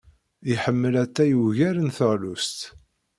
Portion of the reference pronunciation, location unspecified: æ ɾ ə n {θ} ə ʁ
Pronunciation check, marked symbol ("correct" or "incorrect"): correct